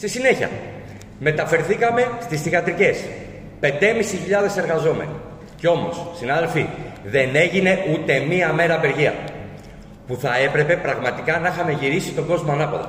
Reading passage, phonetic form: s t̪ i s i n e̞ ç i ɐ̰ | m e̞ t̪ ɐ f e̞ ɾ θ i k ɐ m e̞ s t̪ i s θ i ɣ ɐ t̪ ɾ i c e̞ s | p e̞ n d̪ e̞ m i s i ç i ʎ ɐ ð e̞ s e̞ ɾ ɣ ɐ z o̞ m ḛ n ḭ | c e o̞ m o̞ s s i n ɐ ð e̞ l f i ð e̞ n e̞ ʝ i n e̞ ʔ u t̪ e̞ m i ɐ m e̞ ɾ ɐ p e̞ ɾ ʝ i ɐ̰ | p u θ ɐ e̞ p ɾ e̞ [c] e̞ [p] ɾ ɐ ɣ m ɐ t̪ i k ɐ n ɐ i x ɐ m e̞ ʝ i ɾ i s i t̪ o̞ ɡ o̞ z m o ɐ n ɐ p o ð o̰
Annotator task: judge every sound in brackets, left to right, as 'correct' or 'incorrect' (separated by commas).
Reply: incorrect, correct